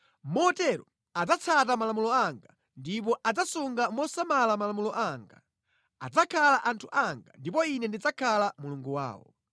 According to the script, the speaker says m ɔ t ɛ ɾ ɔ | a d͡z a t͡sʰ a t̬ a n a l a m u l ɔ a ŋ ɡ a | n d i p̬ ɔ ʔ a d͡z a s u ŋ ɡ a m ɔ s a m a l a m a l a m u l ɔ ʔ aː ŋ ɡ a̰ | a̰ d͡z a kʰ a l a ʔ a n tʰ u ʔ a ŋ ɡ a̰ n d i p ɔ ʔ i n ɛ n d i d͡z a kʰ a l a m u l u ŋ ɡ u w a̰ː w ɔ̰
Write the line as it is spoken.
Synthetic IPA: m ɔ t ɛ ɾ ɔ | a d͡z a t͡sʰ a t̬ a m a l a m u l ɔ a ŋ ɡ a | n d i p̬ ɔ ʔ a d͡z a s u ŋ ɡ a m ɔ s a m a l a m a l a m u l ɔ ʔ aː ŋ ɡ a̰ | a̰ d͡z a kʰ a l a ʔ a n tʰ u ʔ a ŋ ɡ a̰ n d i p ɔ i n ɛ n d i d͡z a kʰ a l a m u l u ŋ ɡ u w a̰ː w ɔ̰

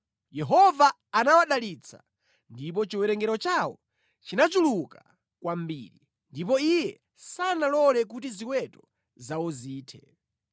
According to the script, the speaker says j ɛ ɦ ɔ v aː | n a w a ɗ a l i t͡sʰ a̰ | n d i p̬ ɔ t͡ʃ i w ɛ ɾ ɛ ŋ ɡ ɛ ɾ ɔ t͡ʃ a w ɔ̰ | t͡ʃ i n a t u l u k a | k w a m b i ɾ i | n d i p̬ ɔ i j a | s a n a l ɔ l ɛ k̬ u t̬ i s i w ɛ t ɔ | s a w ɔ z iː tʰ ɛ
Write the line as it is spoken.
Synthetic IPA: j ɛ ɦ ɔ v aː | n a w a ɗ a l i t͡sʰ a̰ | n d i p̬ ɔ t͡ʃ i w ɛ ɾ ɛ ŋ ɡ ɛ ɾ ɔ t͡ʃ a w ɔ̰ | t͡ʃ i n a t͡ʃ u l u k a | k w a m b i ɾ i | n d i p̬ ɔ i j ɛ | s a n a l ɔ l ɛ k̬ u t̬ i z i w ɛ t ɔ | z a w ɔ z iː tʰ ɛ

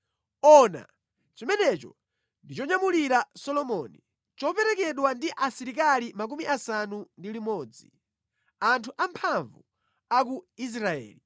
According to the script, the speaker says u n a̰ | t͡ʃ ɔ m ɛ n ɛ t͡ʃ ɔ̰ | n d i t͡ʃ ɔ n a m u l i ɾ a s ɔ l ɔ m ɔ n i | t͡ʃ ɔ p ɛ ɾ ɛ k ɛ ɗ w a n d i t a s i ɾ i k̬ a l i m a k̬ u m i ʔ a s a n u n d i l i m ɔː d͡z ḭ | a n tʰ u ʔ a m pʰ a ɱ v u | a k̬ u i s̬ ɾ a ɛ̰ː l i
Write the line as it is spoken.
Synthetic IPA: ɔ n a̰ | t͡ʃ ɔ m ɛ n ɛ t͡ʃ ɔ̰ | n d i t͡ʃ ɔ ɲ a m u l i ɾ a s ɔ l ɔ m ɔ n i | t͡ʃ ɔ p ɛ ɾ ɛ k ɛ ɗ w a n d i ʔ a s i ɾ i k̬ a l i m a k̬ u m i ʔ a s a n u n d i l i m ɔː d͡z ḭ | a n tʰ u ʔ a m pʰ a ɱ v u | a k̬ u i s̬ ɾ a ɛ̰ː l i

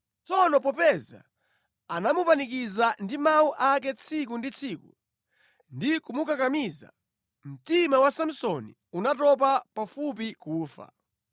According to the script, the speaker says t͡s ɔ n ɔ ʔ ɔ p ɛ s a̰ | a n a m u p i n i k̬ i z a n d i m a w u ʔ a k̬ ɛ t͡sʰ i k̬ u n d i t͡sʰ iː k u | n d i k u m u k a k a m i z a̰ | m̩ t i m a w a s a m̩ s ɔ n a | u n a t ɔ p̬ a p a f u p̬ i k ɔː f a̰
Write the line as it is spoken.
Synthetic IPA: t͡s ɔ n ɔ p ɔ p ɛ z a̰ | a n a m u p a n i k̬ i z a n d i m a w u ʔ a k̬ ɛ t͡sʰ i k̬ u n d i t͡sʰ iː k u | n d i k u m u k a k a m i z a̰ | m̩ t i m a w a s a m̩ s ɔ n i | u n a t ɔ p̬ a p a f u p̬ i k uː f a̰

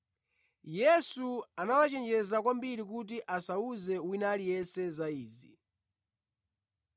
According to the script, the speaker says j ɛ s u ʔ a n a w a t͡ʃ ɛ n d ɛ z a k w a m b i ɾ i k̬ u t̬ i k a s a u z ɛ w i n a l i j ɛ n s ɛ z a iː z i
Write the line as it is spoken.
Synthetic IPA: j ɛ s u a n a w a t͡ʃ ɛ n d͡ʒ ɛ z a k w a m b i ɾ i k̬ u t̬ i ʔ a s a u z ɛ w i n a l i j ɛ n s ɛ z a iː z i

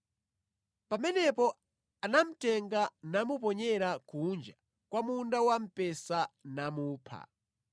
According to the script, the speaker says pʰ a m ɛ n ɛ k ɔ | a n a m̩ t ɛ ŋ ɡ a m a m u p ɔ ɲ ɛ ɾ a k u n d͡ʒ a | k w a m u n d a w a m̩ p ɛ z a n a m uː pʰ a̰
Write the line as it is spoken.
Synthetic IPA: p a m ɛ n ɛ p ɔ | a n a m̩ t ɛ ŋ ɡ a n a m u p ɔ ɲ ɛ ɾ a k u n d͡ʒ a | k w a m u n d a w a m̩ p ɛ s a n a m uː pʰ a̰

